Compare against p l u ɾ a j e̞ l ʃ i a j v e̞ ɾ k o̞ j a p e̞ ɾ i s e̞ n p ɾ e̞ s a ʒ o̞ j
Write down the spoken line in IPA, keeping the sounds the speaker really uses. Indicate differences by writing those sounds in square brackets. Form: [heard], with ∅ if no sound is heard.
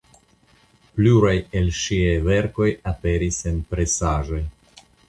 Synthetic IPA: p l u ɾ a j e̞ l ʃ i a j v e̞ ɾ k o̞ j a p e̞ ɾ i s e̞ n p ɾ e̞ s a ʒ o̞ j